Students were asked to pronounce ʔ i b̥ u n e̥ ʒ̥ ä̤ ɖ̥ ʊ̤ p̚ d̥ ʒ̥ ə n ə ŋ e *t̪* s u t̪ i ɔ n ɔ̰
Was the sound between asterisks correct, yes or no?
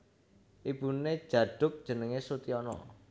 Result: no